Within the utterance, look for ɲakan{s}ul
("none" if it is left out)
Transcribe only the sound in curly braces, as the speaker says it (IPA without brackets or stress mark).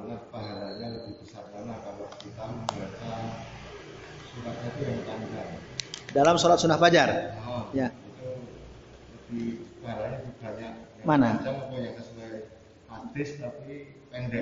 s